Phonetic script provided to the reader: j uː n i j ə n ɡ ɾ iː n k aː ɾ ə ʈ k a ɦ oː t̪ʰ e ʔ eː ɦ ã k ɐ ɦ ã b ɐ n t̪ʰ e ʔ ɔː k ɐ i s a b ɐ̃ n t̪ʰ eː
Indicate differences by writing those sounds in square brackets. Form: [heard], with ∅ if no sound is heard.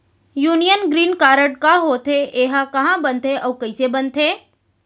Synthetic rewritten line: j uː n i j ə n ɡ ɾ iː n k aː ɾ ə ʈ k a ɦ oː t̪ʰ e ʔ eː ɦ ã k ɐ ɦ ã b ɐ n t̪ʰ e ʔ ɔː k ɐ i s [e] b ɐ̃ n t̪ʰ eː